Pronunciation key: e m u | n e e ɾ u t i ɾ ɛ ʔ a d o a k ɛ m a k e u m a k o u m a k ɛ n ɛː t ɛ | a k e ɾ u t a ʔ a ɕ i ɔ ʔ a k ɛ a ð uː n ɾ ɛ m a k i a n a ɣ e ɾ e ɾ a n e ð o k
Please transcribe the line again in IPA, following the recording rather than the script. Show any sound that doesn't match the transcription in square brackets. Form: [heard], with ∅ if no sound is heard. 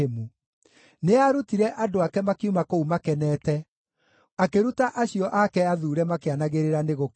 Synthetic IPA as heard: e m u | n e [a] ɾ u t i ɾ ɛ ʔ a d o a k ɛ m a k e u m a k o u m a k ɛ n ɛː t ɛ | a k e ɾ u t a ʔ a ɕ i ɔ ʔ a k ɛ a ð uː [∅] ɾ ɛ m a k [e] a n a ɣ e ɾ e ɾ a n e [ɣ] o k